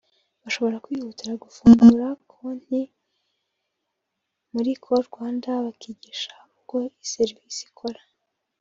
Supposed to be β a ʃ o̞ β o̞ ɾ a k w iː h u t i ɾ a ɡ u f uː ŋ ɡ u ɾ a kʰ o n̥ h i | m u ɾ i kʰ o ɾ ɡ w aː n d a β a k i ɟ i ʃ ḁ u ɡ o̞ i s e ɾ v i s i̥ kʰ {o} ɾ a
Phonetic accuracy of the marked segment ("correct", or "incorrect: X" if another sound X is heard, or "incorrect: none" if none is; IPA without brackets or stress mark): correct